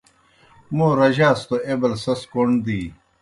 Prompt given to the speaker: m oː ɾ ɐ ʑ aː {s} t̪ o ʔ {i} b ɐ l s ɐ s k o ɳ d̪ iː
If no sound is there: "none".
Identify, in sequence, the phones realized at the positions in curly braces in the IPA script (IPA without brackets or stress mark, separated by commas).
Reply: s, e